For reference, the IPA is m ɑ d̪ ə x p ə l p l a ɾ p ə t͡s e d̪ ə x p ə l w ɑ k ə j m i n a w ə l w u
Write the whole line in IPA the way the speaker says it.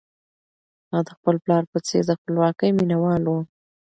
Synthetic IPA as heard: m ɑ d̪ ə x p ə l p l ɑ ɾ p ə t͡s e d̪ ə x p ə l w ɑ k ə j m i n a w ɑ l w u

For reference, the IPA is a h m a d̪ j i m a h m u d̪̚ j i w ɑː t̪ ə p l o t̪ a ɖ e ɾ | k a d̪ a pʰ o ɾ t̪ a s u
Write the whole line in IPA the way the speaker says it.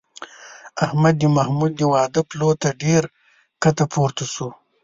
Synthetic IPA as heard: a h m a d̪ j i m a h m u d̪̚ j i w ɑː d̪ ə p l o t̪ a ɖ e ɾ | k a t̪ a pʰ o ɾ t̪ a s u

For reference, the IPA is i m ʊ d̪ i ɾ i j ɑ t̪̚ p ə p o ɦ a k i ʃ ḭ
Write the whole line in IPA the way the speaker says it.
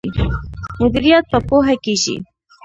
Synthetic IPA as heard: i m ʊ d̪ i ɾ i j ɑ t̪̚ p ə p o ɦ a k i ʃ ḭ

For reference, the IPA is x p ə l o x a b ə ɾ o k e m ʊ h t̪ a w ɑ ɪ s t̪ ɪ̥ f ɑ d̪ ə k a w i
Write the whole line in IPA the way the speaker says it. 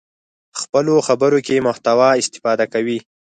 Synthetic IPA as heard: x p ə l o x a b ə ɾ o k e m ʊ h t̪ a w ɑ ɪ s t̪ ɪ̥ f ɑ d̪ a k a w i

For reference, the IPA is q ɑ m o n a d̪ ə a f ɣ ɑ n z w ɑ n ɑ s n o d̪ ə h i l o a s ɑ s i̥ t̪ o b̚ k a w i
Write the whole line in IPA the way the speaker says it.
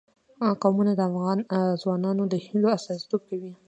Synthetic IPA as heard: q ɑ m u n a d̪ ə a f ɣ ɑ n z w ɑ n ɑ n o d̪ ə h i l o a s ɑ s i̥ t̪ o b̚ k a w i

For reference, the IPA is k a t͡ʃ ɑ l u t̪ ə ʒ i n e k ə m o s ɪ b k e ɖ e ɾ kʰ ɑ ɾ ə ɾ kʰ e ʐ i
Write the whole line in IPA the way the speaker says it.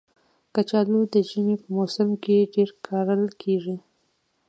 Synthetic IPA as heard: k a t͡ʃ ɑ l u d̪ ə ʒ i n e p ə m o s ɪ m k e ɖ e ɾ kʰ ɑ ɾ ə l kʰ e ʐ i

